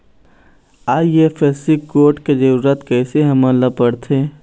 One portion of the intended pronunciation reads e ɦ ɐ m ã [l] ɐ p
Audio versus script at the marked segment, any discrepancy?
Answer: no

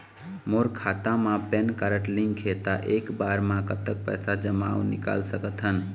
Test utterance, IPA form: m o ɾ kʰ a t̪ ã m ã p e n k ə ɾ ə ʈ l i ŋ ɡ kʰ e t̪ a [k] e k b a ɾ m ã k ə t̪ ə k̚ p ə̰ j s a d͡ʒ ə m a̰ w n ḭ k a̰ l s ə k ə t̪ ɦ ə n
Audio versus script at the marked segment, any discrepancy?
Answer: yes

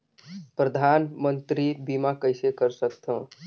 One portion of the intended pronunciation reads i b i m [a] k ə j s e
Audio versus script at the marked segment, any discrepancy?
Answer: no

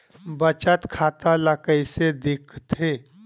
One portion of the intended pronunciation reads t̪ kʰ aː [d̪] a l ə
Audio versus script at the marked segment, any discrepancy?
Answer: yes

